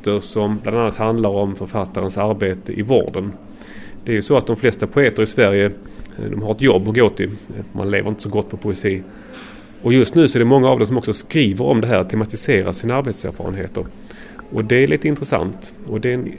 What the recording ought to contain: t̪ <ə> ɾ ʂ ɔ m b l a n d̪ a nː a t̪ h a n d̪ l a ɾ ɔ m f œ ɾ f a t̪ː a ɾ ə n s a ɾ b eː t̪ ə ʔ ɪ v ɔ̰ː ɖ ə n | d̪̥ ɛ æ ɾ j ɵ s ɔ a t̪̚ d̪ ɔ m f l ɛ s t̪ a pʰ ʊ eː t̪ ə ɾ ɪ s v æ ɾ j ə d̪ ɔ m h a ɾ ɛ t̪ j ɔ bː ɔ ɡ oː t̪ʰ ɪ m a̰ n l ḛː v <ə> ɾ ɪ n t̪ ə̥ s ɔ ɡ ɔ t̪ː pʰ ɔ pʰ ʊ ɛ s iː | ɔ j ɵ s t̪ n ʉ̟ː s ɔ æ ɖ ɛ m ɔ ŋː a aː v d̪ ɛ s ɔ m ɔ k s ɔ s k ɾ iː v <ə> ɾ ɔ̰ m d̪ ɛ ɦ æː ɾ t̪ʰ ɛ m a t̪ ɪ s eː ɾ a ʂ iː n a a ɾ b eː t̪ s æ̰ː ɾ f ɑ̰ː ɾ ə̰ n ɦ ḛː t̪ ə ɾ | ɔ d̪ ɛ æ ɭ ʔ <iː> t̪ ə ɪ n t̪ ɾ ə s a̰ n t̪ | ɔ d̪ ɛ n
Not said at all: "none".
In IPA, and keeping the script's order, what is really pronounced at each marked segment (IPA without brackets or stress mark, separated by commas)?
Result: ə, ə, ə, iː